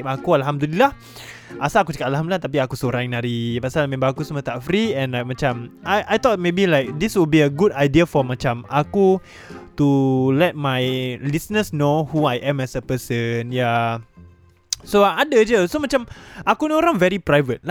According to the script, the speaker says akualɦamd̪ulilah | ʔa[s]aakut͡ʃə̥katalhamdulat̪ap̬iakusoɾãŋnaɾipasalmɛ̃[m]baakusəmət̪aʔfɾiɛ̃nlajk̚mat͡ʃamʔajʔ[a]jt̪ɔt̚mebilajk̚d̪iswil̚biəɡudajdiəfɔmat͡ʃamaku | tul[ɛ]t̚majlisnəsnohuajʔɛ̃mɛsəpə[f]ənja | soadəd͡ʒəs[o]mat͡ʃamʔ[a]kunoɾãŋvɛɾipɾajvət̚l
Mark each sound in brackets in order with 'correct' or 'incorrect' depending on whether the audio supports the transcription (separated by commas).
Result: correct, correct, correct, correct, incorrect, correct, correct